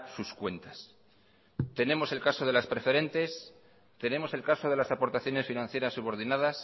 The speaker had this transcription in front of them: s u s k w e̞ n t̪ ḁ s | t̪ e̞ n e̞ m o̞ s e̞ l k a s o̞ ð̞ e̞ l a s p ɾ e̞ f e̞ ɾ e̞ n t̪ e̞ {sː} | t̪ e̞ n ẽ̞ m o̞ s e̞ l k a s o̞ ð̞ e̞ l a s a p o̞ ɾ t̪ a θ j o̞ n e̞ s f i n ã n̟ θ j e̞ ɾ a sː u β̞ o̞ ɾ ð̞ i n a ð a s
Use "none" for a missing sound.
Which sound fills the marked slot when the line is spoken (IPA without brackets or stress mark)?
s